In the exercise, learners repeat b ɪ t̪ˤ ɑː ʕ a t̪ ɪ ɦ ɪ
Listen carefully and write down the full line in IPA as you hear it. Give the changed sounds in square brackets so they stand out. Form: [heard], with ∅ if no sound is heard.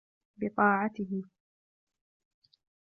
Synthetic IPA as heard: b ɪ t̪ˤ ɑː ʕ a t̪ ɪ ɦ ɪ